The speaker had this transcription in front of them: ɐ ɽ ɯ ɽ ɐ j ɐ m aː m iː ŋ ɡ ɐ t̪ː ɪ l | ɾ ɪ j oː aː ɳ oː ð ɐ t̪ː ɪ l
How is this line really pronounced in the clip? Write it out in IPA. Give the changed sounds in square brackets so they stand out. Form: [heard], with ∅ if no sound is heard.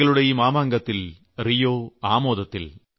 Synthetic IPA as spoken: ɐ [ɭ] ɯ ɽ ɐ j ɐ m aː m [aː] ŋ ɡ ɐ t̪ː ɪ l | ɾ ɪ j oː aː [m] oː ð ɐ t̪ː ɪ l